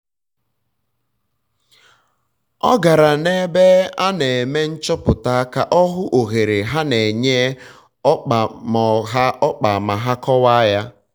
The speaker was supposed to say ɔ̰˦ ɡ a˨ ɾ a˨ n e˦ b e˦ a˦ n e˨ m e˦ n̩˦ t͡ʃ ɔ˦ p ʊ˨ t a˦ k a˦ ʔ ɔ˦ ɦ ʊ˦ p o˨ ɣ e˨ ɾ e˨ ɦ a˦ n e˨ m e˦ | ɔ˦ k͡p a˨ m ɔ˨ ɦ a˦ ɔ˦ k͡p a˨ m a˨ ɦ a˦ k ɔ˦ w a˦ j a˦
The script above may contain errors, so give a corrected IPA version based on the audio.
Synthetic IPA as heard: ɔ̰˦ ɡ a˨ ɾ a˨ n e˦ b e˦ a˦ n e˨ m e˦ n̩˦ t͡ʃ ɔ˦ p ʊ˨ t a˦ k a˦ ʔ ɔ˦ ɦ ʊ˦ ʔ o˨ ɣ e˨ ɾ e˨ ɦ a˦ n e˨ ɲ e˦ | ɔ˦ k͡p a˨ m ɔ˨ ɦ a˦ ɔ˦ k͡p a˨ m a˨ ɦ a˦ k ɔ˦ w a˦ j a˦